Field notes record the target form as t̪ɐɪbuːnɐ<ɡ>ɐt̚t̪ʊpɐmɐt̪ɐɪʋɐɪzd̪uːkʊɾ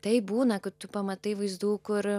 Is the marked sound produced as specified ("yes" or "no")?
no